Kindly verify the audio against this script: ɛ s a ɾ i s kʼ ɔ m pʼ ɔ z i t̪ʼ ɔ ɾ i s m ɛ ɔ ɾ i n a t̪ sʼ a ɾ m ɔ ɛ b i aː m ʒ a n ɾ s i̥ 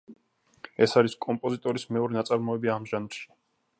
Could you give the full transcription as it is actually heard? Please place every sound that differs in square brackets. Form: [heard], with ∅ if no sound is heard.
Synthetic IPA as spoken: ɛ s a ɾ i s kʼ ɔ m pʼ ɔ z i t̪ʼ ɔ ɾ i s m ɛ ɔ ɾ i n a t̪ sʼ a ɾ m ɔ ɛ b i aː m ʒ a n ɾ [ʃ] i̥